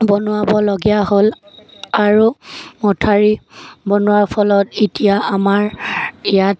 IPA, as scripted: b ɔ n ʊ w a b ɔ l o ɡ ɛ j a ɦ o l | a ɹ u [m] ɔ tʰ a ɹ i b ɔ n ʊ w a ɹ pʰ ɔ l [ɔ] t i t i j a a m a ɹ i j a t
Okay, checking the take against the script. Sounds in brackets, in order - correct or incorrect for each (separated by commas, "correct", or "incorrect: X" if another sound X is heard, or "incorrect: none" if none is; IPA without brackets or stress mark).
correct, correct